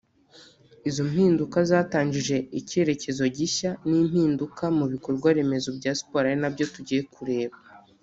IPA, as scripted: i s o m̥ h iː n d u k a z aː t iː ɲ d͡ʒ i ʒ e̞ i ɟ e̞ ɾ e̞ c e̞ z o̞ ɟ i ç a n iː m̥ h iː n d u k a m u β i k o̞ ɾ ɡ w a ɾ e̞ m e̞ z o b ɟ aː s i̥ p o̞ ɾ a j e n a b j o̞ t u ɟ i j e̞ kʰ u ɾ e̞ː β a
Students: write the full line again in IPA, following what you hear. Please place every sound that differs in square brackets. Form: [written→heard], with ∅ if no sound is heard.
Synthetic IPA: i [s→z] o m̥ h iː n d u k a z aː t [iː→aː] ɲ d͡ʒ i ʒ e̞ i [ɟ→c] e̞ ɾ e̞ c e̞ z o̞ ɟ i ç a n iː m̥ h iː n d u k a m u β i k o̞ ɾ ɡ w a ɾ e̞ m e̞ z o b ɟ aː s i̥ p o̞ ɾ a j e n a b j o̞ t u ɟ i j e̞ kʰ u ɾ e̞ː β a